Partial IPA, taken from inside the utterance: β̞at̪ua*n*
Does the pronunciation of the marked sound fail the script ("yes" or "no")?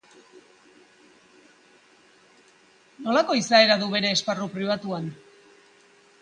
no